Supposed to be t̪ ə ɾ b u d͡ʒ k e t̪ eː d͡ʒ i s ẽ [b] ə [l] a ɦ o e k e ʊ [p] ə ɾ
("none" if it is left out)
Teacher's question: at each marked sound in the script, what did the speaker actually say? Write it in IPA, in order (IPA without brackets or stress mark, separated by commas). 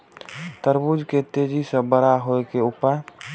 b, ɾ, p